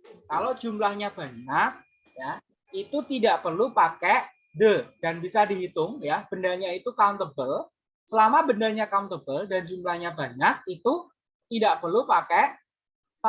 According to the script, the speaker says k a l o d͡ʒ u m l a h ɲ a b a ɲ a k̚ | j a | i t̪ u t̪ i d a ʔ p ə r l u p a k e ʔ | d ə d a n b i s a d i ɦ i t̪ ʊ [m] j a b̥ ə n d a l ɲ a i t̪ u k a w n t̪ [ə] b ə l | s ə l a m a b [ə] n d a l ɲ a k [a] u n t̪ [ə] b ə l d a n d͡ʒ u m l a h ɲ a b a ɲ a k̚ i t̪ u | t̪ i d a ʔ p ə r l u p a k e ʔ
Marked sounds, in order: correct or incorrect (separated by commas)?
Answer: incorrect, correct, correct, correct, correct